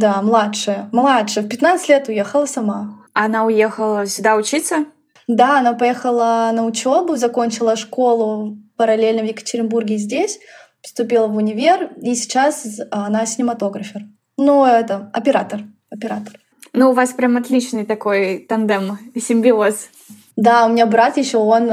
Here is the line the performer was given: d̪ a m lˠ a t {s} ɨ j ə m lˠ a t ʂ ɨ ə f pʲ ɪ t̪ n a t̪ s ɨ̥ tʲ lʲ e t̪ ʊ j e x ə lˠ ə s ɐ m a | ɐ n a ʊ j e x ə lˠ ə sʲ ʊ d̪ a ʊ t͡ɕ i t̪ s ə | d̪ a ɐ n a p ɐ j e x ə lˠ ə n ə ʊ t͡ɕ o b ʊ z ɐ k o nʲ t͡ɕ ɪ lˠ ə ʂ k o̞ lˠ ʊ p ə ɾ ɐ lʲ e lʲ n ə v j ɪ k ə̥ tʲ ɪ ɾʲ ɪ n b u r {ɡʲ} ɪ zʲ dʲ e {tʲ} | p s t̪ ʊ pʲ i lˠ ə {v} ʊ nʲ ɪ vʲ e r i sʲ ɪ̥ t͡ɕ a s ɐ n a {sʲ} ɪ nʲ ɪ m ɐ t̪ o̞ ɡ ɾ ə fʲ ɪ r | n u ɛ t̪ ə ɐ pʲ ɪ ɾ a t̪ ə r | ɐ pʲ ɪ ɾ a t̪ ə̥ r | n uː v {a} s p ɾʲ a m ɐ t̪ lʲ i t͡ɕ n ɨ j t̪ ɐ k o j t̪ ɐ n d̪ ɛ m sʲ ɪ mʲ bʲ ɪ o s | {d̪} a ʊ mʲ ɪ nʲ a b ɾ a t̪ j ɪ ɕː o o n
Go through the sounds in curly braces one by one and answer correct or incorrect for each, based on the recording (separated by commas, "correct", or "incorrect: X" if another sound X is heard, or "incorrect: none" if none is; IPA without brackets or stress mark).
incorrect: ʂ, correct, incorrect: sʲ, correct, correct, correct, correct